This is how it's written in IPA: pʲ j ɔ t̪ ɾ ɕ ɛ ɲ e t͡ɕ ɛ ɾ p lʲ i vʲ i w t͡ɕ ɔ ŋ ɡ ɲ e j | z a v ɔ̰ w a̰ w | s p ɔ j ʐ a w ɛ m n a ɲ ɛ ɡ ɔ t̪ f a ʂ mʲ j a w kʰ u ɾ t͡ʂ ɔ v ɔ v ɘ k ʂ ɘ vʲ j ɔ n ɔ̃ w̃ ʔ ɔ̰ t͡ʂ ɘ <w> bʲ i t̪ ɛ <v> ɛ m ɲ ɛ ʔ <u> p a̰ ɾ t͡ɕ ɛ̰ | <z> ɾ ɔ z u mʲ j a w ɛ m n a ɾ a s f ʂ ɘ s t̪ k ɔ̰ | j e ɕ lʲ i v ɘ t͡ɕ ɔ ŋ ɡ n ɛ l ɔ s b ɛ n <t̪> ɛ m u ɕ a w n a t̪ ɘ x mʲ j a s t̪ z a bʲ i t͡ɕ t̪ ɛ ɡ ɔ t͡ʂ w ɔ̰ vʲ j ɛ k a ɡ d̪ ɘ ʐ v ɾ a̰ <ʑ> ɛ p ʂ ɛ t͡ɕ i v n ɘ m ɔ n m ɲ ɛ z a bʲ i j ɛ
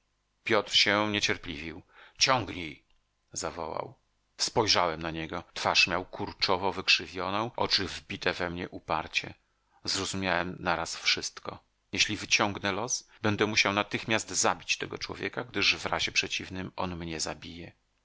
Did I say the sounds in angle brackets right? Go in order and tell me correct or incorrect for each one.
incorrect: v, correct, correct, correct, incorrect: d̪, correct

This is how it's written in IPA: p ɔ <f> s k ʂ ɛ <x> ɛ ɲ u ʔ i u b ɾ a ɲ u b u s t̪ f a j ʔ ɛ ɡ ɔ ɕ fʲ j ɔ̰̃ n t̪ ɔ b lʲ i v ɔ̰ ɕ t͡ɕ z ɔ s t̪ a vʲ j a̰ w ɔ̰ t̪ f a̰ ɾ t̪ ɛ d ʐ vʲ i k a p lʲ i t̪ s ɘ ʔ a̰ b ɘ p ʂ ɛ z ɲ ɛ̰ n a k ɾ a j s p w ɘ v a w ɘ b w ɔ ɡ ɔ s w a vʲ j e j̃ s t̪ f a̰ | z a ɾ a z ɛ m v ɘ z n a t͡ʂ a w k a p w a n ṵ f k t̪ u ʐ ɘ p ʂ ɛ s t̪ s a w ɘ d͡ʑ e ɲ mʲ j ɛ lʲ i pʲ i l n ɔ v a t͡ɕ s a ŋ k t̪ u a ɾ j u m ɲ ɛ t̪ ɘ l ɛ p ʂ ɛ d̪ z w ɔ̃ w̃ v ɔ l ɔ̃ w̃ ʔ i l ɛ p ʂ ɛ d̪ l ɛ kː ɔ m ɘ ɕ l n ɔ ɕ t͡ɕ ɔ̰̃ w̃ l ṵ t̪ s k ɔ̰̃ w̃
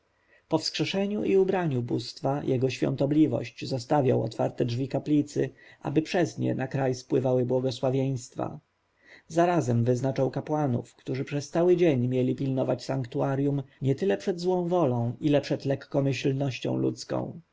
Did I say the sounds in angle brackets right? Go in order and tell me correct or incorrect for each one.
correct, incorrect: ʂ

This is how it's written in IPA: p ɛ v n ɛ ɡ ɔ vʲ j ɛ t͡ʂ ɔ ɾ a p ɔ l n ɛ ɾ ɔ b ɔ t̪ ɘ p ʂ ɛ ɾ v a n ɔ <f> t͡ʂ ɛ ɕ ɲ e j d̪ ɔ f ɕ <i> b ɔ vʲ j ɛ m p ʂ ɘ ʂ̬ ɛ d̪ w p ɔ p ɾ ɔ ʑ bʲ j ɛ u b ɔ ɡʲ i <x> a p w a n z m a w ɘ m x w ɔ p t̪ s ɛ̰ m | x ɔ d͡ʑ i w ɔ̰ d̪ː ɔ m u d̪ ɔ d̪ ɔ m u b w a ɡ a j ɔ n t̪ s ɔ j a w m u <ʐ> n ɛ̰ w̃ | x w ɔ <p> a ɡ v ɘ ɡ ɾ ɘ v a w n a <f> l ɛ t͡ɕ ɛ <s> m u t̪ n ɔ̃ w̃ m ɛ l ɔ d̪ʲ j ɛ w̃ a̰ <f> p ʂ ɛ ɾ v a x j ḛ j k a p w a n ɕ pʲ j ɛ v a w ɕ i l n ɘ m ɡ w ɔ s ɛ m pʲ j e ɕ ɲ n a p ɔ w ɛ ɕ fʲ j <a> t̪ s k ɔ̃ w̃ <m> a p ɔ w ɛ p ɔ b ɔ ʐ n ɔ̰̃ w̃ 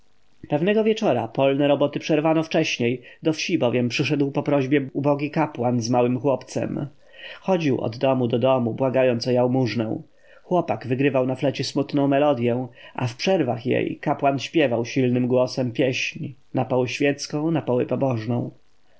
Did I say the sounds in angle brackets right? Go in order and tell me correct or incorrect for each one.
correct, correct, incorrect: k, correct, correct, correct, correct, correct, incorrect: ɛ, incorrect: n

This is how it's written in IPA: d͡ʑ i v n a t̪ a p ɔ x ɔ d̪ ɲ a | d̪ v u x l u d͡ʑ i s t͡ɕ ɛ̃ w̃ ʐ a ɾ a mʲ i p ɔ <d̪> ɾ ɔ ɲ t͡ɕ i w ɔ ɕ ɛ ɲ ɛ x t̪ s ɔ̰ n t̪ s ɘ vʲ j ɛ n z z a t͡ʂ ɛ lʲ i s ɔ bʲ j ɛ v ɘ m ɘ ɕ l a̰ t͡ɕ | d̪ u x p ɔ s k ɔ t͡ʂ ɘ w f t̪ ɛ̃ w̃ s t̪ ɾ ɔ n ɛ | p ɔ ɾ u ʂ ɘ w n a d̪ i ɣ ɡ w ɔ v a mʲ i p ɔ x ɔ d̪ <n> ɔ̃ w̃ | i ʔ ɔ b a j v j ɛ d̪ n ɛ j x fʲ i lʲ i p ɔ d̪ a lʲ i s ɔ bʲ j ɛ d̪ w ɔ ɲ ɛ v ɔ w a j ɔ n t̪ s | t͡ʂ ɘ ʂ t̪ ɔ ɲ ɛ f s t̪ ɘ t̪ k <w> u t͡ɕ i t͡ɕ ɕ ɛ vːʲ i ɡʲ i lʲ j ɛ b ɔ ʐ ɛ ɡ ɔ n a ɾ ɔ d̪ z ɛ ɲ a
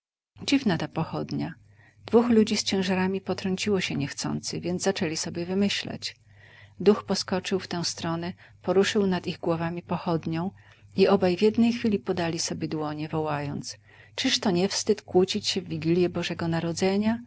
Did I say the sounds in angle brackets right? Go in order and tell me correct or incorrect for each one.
incorrect: t̪, incorrect: ɲ, correct

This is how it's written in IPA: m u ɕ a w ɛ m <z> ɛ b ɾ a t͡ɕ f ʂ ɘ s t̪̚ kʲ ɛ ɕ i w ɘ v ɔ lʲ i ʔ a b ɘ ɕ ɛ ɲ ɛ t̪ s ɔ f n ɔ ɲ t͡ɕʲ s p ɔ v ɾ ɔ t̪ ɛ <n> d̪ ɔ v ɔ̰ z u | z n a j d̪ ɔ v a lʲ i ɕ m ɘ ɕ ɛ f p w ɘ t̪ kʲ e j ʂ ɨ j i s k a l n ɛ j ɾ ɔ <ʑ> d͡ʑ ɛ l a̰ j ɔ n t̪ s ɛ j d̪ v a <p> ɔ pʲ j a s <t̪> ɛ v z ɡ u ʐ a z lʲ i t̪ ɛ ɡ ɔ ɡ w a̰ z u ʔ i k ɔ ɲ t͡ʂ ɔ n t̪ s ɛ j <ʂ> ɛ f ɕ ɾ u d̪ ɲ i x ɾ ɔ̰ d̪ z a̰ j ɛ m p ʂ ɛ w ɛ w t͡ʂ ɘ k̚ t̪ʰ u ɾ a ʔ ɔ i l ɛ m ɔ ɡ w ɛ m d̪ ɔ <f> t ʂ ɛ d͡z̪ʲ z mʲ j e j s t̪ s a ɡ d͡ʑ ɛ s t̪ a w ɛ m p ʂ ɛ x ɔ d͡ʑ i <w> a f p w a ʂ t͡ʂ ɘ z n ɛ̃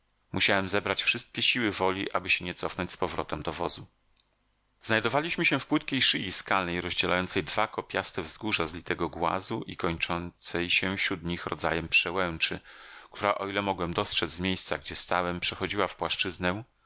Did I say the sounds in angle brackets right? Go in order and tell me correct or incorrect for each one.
correct, incorrect: m, correct, incorrect: k, correct, incorrect: ɕ, incorrect: s, correct

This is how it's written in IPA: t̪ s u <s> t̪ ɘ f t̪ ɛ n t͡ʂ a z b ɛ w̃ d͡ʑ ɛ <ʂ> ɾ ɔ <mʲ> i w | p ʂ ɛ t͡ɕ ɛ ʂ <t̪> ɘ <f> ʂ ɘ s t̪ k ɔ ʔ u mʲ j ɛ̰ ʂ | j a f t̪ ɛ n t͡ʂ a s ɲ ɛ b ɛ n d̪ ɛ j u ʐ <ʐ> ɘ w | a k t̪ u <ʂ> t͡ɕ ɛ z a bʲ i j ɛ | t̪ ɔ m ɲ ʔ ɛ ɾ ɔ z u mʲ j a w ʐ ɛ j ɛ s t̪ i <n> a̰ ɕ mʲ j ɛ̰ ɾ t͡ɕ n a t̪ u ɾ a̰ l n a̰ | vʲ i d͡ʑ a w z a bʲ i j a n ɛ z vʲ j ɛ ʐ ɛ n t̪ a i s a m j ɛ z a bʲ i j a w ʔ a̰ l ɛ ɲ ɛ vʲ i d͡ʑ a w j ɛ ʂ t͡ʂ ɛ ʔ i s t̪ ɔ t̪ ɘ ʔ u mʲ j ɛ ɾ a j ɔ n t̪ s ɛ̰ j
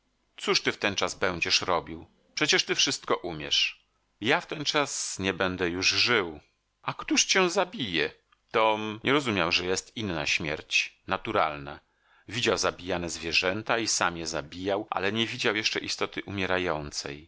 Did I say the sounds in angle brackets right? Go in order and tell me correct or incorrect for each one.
incorrect: ʂ, correct, incorrect: bʲ, correct, correct, correct, correct, incorrect: nː

